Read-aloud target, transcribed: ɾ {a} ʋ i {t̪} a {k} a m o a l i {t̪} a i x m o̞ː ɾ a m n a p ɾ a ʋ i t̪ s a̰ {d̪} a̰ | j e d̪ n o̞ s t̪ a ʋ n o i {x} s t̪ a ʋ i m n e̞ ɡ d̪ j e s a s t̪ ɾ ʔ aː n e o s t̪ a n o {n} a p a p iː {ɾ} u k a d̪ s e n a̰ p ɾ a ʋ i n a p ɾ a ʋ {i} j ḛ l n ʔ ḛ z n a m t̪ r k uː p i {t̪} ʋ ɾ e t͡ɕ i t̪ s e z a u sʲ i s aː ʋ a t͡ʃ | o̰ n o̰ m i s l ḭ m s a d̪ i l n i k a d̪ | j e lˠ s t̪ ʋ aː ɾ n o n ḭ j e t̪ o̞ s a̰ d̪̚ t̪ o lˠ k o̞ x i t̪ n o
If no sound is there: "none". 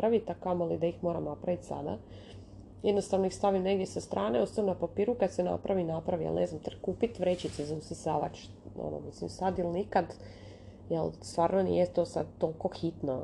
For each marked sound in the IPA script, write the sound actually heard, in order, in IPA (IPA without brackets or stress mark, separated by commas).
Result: a, t̪, k, d̪, d̪, x, n, ɾ, i, t̪